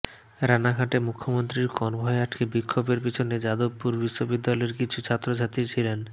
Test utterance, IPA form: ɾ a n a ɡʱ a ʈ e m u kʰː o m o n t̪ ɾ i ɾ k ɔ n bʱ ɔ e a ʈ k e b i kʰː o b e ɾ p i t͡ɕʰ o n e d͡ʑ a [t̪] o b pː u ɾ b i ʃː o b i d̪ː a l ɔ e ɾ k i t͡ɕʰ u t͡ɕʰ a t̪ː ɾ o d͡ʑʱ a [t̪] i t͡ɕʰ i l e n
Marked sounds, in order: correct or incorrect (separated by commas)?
incorrect, correct